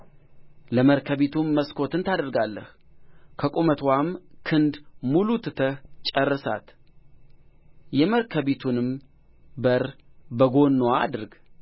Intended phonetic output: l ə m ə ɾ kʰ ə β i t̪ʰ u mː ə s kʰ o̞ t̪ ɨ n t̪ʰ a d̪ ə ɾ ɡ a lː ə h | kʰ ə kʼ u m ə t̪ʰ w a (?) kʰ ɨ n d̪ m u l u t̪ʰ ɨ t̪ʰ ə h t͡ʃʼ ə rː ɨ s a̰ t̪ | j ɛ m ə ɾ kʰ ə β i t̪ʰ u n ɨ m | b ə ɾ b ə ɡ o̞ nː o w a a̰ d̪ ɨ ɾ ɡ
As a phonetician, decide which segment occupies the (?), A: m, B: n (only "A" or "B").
A